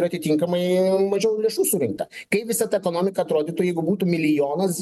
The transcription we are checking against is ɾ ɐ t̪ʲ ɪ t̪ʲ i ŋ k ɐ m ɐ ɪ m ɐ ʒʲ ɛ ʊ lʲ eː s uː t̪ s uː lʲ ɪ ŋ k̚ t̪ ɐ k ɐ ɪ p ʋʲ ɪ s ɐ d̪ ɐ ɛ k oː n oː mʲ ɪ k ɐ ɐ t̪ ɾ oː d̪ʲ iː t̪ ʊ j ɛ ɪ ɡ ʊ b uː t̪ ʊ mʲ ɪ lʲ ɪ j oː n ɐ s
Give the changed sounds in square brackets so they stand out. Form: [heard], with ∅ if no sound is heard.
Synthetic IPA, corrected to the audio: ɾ ɐ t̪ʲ ɪ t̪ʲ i ŋ k ɐ m ɐ ɪ m ɐ ʒʲ ɛ ʊ lʲ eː [ʃ] uː [∅] s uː [ɾʲ] ɪ ŋ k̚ t̪ ɐ k ɐ ɪ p ʋʲ ɪ s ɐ [t̪] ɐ ɛ k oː n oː mʲ ɪ k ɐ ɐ t̪ ɾ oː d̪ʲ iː t̪ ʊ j ɛ ɪ ɡ ʊ b uː t̪ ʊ mʲ ɪ lʲ ɪ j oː n ɐ s